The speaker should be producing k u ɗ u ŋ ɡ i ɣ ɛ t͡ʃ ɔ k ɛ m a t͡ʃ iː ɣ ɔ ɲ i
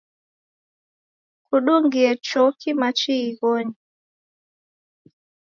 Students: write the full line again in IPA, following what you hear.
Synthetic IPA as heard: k u ɗ u ŋ ɡ i ɛ t͡ʃ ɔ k i m a t͡ʃ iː ɣ ɔ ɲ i